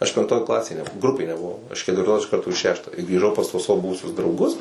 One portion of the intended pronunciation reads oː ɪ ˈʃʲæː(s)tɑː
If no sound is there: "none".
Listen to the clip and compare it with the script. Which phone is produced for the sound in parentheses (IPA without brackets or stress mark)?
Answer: ʃ